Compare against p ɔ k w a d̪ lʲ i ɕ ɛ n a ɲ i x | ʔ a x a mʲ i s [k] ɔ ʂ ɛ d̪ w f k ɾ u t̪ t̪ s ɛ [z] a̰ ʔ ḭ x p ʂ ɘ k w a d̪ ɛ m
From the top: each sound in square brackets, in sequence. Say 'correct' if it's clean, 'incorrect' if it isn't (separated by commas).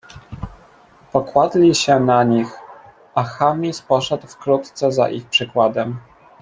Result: incorrect, correct